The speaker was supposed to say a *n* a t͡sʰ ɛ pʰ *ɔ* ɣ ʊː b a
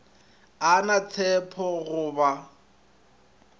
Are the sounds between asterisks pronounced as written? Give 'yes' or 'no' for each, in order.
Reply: yes, yes

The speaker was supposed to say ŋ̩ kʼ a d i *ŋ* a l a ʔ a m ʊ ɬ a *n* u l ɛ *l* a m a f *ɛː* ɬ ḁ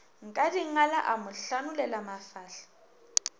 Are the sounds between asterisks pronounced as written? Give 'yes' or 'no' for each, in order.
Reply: yes, yes, yes, no

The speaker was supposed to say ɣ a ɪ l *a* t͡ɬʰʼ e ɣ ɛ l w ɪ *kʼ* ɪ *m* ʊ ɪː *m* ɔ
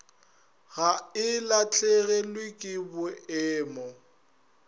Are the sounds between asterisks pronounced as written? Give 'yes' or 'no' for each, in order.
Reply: yes, yes, no, yes

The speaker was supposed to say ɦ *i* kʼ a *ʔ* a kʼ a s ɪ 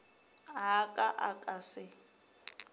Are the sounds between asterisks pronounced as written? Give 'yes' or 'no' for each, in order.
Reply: no, yes

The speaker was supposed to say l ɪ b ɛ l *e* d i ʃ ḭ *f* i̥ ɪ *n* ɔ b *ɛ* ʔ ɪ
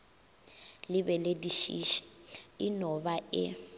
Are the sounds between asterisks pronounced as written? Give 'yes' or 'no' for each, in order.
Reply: yes, no, yes, no

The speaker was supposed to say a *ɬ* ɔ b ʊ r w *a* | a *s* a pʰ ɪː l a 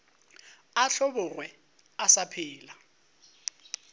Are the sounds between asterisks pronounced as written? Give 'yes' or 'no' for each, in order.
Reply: yes, no, yes

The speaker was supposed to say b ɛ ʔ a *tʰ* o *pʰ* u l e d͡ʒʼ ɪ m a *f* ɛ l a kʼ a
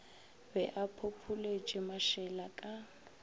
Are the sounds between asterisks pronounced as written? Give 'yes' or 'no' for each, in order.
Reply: no, yes, no

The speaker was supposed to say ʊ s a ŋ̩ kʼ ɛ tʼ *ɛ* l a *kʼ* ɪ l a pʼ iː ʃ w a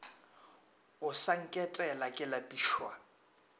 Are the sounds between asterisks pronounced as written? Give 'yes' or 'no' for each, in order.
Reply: yes, yes

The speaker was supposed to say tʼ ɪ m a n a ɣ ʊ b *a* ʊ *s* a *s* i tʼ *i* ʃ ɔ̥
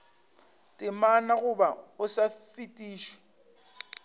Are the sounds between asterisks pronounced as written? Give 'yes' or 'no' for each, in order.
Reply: yes, yes, no, no

